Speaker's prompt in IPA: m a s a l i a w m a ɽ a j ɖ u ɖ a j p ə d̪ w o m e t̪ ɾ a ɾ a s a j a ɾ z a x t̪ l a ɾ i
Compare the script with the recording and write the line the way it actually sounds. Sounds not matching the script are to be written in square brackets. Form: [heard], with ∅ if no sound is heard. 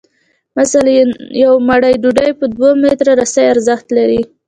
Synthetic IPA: m a s a l [j] a w m a ɽ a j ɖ u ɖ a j p ə d̪ w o m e t̪ ɾ a ɾ a s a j a ɾ z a x t̪ l a ɾ i